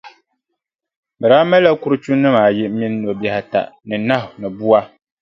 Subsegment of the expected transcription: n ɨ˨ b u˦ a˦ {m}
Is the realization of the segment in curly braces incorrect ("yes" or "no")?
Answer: yes